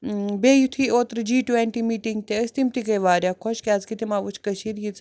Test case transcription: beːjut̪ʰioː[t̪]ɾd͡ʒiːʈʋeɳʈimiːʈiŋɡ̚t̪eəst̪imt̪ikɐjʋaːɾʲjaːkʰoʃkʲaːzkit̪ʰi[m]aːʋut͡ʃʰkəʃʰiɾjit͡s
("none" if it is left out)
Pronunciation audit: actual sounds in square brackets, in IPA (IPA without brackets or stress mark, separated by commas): t̪, m